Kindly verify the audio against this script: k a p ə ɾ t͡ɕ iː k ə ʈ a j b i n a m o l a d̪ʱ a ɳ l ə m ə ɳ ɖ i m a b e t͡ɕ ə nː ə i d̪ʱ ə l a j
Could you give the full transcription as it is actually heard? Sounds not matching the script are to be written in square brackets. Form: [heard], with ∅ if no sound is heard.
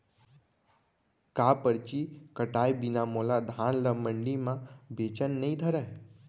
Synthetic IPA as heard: k a p ə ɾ t͡ɕ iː k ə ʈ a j b i n a m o l a d̪ʱ a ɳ l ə m ə ɳ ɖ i m a b e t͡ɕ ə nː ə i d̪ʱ ə [ɾ] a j